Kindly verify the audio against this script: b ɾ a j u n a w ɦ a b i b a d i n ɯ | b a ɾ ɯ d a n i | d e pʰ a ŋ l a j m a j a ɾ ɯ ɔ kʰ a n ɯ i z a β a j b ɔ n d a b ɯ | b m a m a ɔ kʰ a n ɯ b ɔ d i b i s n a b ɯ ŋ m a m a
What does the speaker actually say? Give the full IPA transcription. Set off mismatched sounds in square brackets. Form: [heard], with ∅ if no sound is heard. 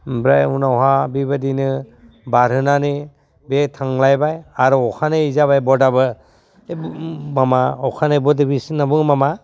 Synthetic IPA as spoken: b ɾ a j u n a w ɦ a b i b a d i n ɯ | b a ɾ ɯ [n] a n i | [b] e [tʰ] a ŋ l a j [b] a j a ɾ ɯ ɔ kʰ a n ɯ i z a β a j b ɔ [∅] d a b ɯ | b m a m a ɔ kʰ a n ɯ b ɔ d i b i s n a b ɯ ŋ m a m a